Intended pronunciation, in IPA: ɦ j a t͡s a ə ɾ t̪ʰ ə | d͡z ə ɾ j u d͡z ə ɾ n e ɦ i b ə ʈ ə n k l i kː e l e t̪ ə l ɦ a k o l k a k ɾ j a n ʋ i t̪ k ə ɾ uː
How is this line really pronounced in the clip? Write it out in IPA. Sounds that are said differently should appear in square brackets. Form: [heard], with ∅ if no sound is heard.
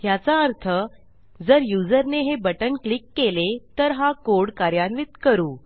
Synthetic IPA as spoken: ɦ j a t͡s a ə ɾ t̪ʰ ə | d͡z ə ɾ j u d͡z ə ɾ n e ɦ [e] b ə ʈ ə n k l i kː e l e t̪ ə [ɾ] ɦ a k o [ɽ] k a [∅] ɾ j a n ʋ i t̪ k ə ɾ uː